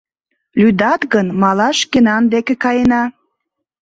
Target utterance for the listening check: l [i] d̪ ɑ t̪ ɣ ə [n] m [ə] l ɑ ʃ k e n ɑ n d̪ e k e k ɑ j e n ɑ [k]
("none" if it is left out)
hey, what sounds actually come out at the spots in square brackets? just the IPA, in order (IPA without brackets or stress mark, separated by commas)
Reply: y, n, ɑ, none